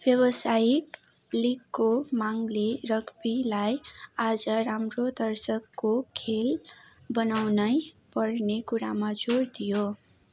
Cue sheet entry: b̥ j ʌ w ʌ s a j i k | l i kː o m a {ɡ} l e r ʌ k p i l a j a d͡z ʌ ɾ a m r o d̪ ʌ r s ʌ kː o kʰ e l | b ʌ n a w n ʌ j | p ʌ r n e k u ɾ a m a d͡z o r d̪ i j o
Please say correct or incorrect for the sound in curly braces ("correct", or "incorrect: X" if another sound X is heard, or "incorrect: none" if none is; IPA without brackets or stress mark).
incorrect: ŋ